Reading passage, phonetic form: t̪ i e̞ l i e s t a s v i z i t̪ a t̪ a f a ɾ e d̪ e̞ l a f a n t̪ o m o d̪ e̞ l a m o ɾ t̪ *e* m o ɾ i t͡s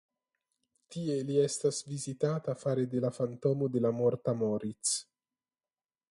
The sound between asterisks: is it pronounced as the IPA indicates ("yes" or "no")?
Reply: no